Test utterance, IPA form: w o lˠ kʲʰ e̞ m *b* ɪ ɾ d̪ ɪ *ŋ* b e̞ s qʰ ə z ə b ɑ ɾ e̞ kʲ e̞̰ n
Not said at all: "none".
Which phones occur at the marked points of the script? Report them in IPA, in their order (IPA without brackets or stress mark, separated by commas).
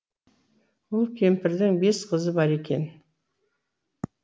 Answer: p, ŋ